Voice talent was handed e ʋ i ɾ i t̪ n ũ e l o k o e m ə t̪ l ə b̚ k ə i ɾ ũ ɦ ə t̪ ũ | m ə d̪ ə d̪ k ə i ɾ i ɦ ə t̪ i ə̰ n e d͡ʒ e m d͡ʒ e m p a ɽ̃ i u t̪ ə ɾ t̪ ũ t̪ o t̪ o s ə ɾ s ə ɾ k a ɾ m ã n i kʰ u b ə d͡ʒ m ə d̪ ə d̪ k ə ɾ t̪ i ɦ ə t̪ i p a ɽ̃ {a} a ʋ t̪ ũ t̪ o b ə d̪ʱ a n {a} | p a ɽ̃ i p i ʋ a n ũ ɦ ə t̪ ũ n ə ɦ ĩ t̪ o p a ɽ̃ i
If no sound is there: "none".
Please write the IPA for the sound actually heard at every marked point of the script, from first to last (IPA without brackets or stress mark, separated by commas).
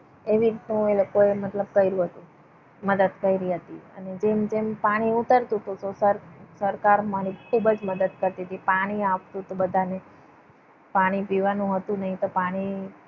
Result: i, e